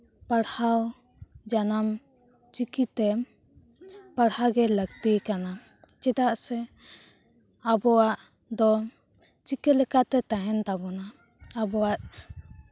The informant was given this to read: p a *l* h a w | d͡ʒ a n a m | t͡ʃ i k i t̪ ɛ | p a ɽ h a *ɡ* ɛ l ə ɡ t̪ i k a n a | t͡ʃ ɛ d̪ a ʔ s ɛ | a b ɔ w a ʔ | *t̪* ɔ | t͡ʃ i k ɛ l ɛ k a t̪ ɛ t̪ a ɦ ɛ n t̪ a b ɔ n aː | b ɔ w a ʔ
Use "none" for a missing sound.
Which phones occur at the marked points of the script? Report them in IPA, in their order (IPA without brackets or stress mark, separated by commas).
ɽ, ɡ, d̪